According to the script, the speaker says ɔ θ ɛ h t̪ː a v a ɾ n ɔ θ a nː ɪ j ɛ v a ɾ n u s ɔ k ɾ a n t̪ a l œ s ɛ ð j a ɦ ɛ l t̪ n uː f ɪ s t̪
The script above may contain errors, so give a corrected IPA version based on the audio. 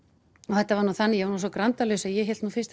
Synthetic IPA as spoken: ɔ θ ɛ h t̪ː a v a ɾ n u θ a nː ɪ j ɛ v a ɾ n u s ɔ k ɾ a n t̪ a l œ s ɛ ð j ɛ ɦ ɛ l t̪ n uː f ɪ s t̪